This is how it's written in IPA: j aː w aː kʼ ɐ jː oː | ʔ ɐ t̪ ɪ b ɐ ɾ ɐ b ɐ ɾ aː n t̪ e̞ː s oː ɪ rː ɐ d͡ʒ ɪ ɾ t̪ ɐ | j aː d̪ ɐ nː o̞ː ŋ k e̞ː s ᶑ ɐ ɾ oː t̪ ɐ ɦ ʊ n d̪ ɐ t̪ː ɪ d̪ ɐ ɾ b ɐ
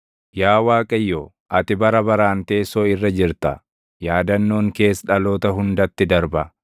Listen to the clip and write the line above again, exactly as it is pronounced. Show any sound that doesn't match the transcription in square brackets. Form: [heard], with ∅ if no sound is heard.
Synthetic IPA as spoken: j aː w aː kʼ ɐ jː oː | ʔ ɐ t̪ ɪ b ɐ ɾ ɐ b ɐ ɾ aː n t̪ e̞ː s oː ɪ rː ɐ d͡ʒ ɪ ɾ t̪ ɐ | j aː d̪ ɐ nː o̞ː ŋ k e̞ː s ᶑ ɐ [l] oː t̪ ɐ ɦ ʊ n d̪ ɐ t̪ː ɪ d̪ ɐ ɾ b ɐ